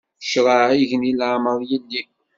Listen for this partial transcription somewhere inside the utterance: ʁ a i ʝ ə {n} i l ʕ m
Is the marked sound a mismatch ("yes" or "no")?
no